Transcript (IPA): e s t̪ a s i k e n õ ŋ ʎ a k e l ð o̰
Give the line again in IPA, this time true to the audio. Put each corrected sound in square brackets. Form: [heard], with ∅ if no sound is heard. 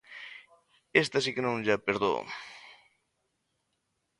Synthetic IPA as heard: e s t̪ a s i k e n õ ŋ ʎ a [p] e [ɾ] ð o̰